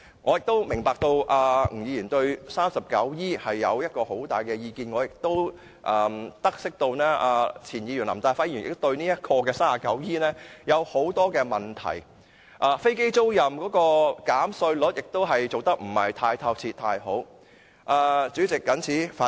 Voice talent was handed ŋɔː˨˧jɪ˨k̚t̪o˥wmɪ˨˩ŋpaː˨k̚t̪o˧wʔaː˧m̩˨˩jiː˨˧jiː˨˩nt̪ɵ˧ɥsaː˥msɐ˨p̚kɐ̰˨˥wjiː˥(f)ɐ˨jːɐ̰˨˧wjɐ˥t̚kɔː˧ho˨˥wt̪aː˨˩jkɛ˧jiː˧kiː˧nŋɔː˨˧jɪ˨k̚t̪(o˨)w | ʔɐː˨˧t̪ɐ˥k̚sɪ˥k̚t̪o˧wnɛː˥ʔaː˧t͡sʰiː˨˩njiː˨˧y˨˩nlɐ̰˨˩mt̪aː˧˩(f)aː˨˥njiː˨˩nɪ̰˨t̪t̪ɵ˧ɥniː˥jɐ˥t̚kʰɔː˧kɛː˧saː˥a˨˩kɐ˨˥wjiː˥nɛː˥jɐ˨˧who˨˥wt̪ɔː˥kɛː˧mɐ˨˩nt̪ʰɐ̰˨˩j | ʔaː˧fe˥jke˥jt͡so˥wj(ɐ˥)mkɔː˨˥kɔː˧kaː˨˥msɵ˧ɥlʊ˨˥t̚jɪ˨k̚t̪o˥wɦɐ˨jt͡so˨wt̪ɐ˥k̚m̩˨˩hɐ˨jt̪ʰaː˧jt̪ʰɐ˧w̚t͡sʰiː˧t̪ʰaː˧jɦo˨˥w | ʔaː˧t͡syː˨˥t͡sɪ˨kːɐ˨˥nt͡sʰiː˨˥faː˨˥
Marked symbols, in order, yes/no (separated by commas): no, no, yes, no